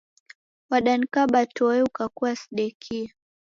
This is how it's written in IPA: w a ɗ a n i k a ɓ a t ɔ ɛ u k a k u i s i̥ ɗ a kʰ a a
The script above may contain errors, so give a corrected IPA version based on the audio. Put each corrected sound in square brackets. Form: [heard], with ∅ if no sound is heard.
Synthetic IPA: w a ɗ a n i k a ɓ a t ɔ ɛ u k a k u [a] s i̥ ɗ [ɛ] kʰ [i] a